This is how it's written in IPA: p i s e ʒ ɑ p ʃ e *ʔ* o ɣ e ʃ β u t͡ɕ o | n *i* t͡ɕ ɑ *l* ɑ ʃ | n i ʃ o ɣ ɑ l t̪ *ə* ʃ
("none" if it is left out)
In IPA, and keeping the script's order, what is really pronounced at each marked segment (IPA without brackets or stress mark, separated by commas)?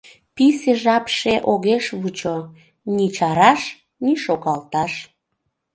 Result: ʔ, i, ɾ, ɑ